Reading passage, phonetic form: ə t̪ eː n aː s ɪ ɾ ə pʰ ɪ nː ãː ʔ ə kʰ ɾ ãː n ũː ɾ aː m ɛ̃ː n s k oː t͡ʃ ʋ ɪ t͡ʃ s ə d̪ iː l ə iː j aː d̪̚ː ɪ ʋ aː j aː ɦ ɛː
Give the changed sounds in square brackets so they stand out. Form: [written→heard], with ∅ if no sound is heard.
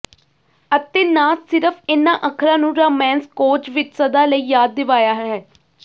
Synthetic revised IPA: ə t̪ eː n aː s ɪ ɾ ə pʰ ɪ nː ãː ʔ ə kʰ ɾ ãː n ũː ɾ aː m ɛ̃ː n s k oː t͡ʃ ʋ ɪ t͡ʃ s ə d̪ [iː→aː] l ə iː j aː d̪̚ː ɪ ʋ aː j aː ɦ ɛː